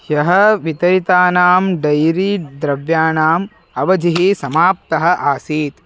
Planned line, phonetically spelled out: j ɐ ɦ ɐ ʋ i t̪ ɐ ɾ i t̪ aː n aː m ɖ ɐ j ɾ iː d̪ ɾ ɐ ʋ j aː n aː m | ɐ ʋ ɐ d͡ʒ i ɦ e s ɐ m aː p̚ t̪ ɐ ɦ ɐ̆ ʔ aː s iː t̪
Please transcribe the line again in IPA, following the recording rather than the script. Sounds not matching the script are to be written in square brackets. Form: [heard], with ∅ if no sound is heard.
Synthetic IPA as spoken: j ɐ ɦ ɐ ʋ i t̪ ɐ ɾ i t̪ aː n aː m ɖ ɐ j ɾ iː d̪ ɾ ɐ ʋ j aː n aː m | ɐ ʋ ɐ d͡ʒ i ɦ [i] s ɐ m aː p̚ t̪ ɐ ɦ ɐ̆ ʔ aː s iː t̪